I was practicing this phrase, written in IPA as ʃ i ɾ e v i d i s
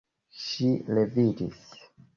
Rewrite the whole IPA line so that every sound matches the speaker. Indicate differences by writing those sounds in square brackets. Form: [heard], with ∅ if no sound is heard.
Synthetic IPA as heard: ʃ i [l] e v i d i s